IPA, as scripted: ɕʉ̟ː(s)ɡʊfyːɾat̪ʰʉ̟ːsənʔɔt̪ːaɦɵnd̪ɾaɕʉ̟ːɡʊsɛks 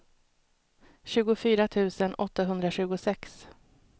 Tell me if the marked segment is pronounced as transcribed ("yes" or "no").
no